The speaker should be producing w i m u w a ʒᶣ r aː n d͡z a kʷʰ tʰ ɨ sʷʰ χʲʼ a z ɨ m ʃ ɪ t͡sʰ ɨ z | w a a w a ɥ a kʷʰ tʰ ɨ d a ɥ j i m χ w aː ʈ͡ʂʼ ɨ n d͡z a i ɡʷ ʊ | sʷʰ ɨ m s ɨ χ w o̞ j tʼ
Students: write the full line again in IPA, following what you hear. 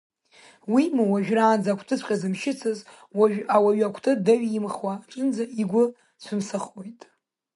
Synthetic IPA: w i m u w a ʒᶣ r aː n d͡z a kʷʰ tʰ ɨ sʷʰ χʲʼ a z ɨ m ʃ ɪ t͡sʰ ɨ z | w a a w a ɥ a kʷʰ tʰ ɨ d a ɥ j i m χ w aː ʈ͡ʂʼ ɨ n d͡z a i ɡʷ ʊ | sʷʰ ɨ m s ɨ χ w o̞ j tʼ